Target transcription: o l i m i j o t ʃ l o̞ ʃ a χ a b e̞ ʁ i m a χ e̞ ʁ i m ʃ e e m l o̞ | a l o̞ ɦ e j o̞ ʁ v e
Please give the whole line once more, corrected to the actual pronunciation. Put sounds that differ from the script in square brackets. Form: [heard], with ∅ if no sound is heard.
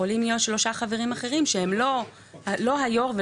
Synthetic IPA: o l i m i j o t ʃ l o̞ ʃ a χ a [v] e̞ ʁ i m a χ e̞ ʁ i m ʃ e e m l o̞ | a l o̞ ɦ [a] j o̞ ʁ v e